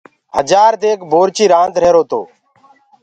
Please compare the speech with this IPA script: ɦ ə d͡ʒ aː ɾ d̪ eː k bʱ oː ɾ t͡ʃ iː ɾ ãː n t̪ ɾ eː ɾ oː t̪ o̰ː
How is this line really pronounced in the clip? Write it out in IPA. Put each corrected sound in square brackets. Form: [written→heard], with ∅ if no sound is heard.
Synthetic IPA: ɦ ə d͡ʒ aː ɾ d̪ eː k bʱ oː ɾ t͡ʃ iː ɾ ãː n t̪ ɾ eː ɾ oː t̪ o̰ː